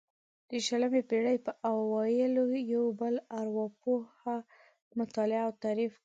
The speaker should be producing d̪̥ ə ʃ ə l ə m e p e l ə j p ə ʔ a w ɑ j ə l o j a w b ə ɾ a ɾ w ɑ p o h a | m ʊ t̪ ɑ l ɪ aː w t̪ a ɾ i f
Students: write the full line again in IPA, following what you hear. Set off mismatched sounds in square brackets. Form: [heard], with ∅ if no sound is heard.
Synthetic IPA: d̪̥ ə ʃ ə l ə m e p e [ɽ] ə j p ə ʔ a w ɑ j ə l o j a w b ə [l] a ɾ w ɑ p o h a | m ʊ t̪ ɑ l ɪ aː w t̪ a ɾ i f